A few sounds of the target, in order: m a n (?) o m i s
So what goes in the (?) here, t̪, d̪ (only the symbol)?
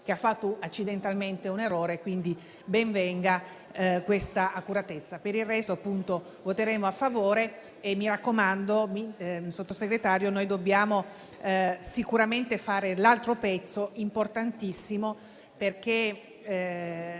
d̪